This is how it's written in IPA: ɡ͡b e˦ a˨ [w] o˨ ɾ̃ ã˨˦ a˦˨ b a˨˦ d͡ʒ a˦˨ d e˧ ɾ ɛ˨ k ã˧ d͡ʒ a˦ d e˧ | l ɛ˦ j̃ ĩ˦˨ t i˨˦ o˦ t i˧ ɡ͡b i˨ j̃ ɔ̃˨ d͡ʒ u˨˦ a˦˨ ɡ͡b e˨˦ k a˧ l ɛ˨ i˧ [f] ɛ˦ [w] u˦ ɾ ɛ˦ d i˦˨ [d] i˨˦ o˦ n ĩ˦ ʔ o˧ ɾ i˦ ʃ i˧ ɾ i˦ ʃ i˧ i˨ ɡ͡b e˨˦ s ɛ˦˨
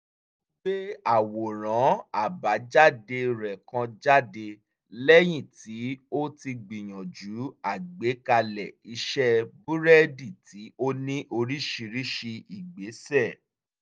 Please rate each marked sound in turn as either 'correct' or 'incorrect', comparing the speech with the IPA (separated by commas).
correct, incorrect, incorrect, incorrect